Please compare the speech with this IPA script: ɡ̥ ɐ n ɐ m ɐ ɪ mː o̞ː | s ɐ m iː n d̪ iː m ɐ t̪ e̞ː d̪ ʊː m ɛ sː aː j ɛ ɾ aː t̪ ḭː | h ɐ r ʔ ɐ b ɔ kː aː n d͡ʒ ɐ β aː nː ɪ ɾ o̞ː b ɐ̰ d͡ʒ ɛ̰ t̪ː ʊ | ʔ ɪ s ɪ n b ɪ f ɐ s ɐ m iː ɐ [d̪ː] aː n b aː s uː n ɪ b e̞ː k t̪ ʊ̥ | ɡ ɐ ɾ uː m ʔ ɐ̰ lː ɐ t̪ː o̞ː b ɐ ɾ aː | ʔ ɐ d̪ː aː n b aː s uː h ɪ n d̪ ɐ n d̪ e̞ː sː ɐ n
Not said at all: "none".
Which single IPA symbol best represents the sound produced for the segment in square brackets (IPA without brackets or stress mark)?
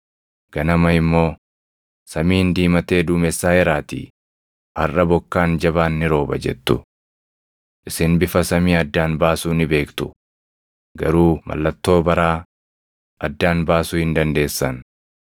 d̪ː